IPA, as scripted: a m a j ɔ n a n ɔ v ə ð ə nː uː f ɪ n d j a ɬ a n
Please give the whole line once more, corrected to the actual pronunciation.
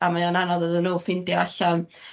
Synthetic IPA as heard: a m a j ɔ n a n ɔ ð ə ð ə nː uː f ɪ n d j a ɬ a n